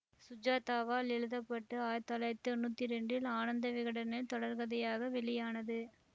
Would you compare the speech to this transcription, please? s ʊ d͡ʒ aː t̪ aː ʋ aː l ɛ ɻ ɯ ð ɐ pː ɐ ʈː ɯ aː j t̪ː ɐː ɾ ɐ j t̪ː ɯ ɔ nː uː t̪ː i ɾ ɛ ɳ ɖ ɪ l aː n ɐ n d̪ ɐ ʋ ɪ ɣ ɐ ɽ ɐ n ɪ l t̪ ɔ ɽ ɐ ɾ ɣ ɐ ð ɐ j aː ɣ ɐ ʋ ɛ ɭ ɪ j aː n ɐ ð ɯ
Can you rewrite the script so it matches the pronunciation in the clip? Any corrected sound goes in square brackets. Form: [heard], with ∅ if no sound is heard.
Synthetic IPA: s ʊ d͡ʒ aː t̪ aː ʋ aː l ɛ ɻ ɯ ð ɐ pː ɐ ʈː ɯ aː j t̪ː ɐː [l] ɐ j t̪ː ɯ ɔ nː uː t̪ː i ɾ ɛ ɳ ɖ ɪ l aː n ɐ n d̪ ɐ ʋ ɪ ɣ ɐ ɽ ɐ n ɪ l t̪ ɔ ɽ ɐ ɾ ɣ ɐ ð ɐ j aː ɣ ɐ ʋ ɛ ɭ ɪ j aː n ɐ ð ɯ